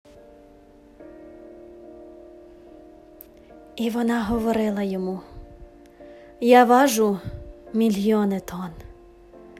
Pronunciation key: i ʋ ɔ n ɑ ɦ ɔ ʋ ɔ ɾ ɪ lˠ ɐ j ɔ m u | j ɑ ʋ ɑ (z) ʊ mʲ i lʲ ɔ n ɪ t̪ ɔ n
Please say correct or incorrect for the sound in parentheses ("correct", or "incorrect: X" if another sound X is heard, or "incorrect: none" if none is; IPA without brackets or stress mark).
incorrect: ʒ